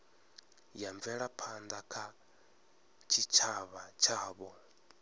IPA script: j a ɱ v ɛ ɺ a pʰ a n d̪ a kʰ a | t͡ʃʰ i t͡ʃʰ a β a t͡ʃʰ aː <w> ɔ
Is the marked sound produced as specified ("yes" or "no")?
no